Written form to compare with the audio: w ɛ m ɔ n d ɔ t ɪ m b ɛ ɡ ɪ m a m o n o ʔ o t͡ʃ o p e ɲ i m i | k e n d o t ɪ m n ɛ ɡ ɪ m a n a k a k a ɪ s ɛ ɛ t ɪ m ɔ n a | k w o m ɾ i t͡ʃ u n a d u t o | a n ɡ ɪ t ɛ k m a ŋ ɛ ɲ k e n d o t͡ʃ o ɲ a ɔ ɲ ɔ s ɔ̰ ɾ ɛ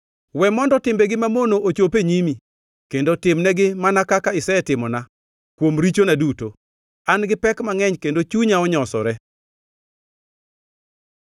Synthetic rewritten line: w ɛ m ɔ n d ɔ t ɪ m b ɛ ɡ ɪ m a m o n o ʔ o t͡ʃ o p e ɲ i m i | k e n d o t ɪ m n ɛ ɡ ɪ m a n a k a k a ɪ s ɛ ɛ t ɪ m ɔ n a | k w o m ɾ i t͡ʃ o n a d u t o | a n ɡ ɪ p ɛ k m a ŋ ɛ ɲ k e n d o t͡ʃ u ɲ a ɔ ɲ ɔ s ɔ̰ ɾ ɛ